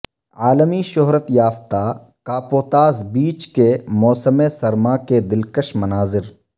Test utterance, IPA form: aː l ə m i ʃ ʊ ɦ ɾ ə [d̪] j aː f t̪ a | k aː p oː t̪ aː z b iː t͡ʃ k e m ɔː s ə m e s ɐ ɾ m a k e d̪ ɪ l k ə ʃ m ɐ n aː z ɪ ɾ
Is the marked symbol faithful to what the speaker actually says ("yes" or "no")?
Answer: no